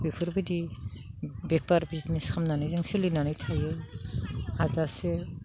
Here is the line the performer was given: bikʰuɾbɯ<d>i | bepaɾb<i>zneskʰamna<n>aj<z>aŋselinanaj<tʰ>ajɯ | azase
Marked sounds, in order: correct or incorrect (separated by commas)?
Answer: correct, correct, correct, correct, correct